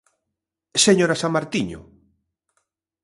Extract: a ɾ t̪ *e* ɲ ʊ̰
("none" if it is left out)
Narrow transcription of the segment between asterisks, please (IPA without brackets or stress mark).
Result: i